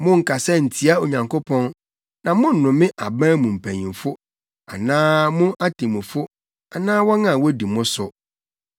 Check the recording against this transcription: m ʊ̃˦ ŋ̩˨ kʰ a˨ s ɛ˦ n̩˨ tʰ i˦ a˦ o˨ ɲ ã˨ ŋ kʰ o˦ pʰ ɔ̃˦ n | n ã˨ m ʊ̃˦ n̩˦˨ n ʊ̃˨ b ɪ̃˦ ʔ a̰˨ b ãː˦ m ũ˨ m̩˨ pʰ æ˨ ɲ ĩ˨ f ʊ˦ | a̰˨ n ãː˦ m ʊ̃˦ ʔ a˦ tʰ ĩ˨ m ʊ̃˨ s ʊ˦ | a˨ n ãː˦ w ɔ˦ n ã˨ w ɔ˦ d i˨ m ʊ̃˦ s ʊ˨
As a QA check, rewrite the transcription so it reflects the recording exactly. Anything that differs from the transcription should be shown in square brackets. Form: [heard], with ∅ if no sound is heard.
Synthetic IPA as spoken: m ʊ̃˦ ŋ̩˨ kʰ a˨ s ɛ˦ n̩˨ tʰ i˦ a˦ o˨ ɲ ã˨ ŋ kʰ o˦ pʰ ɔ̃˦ n | n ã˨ m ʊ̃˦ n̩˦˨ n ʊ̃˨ [m] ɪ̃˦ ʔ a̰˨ b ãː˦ m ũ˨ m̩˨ pʰ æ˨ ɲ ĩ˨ f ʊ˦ | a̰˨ n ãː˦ m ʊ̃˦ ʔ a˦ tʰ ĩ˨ m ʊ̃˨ [f] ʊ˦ | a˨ n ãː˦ w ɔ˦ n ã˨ w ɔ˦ d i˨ m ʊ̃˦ s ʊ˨

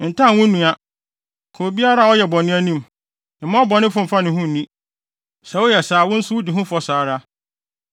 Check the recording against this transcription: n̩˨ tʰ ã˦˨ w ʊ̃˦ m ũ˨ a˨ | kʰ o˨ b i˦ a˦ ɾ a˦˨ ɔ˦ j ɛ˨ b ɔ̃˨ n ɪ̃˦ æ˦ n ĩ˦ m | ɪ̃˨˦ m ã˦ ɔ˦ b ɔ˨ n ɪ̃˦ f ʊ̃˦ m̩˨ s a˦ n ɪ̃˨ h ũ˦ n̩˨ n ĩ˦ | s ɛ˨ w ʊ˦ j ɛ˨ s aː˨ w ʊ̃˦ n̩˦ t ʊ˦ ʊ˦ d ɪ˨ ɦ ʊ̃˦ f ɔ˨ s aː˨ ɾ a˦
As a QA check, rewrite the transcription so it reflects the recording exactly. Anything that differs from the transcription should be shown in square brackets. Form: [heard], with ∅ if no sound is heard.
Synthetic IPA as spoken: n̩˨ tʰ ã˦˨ w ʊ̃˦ [n] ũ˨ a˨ | kʰ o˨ b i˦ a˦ ɾ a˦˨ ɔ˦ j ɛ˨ b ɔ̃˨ n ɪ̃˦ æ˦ n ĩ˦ m | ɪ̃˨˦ m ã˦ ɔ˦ b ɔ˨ n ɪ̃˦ f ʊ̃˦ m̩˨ [f] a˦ n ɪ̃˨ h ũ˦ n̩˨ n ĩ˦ | s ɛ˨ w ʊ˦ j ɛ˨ s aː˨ w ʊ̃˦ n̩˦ [s] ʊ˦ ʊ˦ d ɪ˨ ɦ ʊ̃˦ f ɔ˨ s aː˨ ɾ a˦

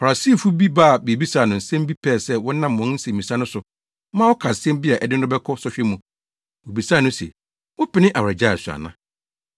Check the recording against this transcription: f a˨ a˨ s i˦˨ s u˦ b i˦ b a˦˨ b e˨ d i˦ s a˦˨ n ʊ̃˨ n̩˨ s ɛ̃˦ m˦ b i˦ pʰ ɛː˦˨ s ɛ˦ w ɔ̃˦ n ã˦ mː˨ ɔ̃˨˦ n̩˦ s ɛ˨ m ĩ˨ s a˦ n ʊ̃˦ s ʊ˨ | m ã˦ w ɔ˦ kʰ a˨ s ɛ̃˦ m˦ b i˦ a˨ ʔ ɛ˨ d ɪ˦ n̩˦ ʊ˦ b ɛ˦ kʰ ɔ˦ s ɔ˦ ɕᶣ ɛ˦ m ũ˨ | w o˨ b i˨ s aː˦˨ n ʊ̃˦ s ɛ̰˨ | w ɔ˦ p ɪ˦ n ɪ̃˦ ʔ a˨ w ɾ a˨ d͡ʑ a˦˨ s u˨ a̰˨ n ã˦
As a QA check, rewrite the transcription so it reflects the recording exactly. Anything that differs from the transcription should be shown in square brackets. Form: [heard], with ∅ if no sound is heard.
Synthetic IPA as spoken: f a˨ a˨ s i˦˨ [f] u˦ b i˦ b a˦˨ b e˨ [b] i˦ s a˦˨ n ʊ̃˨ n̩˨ s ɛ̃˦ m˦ b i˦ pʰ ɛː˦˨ s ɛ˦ w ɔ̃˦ n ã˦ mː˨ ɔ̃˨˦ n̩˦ s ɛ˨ m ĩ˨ s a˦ n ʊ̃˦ s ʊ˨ | m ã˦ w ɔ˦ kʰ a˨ s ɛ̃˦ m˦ b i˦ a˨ ʔ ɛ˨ d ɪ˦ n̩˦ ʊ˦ b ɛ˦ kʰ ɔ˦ s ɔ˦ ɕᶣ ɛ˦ m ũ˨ | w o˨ b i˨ s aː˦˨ n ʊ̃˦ s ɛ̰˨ | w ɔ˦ p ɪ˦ n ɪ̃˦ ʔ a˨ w ɾ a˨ d͡ʑ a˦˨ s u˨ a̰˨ n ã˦

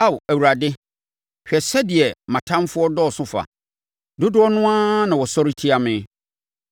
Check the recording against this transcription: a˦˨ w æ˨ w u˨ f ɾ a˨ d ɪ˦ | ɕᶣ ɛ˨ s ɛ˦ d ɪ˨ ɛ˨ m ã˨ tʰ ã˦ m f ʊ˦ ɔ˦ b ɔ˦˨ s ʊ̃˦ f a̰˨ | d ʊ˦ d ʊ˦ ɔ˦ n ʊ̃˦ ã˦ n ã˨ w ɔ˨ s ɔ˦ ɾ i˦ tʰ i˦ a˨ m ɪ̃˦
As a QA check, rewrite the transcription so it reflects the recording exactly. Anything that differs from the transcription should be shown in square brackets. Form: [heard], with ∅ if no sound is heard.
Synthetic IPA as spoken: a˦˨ w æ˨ w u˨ [∅] ɾ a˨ d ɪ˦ | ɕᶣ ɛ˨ s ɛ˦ d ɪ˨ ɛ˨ m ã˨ tʰ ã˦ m f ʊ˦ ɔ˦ [d] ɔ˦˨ s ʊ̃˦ f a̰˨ | d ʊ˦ d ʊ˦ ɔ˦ n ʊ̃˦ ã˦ n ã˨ w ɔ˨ s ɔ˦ ɾ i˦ tʰ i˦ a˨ m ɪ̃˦

